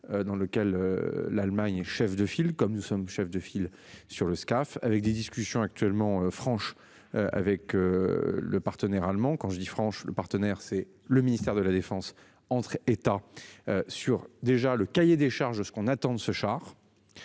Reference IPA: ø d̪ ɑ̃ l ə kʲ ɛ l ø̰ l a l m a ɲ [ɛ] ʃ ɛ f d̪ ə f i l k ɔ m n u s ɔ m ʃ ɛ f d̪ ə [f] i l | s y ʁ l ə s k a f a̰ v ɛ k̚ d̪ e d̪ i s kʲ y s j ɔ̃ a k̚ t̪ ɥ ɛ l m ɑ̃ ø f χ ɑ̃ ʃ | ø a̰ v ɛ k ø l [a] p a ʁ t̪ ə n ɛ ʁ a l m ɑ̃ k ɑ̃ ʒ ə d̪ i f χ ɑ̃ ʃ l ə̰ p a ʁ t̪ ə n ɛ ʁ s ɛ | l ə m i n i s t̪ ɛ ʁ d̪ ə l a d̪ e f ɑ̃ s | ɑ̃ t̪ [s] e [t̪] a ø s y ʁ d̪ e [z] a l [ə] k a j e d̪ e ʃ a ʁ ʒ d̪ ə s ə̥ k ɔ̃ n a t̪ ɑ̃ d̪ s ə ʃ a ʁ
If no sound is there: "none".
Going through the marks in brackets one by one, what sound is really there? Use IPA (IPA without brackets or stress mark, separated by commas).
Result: ɛ, f, ə, χ, t̪, ʒ, ə